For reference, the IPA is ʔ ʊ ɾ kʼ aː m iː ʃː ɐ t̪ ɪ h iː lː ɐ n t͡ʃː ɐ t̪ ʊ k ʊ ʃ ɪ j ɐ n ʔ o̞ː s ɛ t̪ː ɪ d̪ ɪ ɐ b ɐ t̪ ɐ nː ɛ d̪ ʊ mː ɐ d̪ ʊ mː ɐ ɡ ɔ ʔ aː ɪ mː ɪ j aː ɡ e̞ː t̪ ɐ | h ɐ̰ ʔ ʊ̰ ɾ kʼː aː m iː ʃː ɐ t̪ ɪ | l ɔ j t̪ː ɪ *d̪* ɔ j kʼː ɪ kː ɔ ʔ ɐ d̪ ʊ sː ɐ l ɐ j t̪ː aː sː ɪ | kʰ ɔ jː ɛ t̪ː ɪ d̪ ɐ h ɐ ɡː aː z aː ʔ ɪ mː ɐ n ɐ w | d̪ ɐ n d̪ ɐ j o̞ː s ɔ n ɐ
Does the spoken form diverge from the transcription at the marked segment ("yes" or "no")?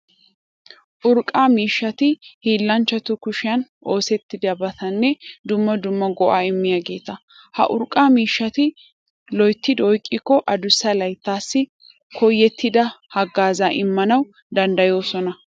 no